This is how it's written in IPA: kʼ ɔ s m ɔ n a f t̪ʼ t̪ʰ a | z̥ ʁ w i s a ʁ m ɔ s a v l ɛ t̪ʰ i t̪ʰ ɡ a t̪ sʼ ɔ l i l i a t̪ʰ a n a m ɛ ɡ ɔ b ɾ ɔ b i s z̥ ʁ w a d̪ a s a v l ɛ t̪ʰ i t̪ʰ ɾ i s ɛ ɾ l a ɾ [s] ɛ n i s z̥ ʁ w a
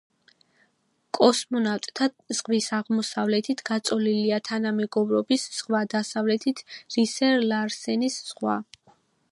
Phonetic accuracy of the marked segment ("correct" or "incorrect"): correct